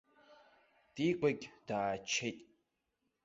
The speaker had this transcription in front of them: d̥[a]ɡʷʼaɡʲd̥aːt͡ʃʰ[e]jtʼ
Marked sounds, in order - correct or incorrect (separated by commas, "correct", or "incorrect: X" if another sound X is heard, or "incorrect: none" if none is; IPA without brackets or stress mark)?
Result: incorrect: i, correct